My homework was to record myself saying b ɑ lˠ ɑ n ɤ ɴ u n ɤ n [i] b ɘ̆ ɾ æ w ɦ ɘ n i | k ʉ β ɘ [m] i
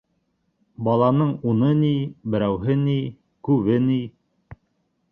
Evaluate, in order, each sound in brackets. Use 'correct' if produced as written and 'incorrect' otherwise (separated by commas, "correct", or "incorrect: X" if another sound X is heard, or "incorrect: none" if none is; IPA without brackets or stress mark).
correct, incorrect: n